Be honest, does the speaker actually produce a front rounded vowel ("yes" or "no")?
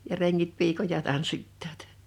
no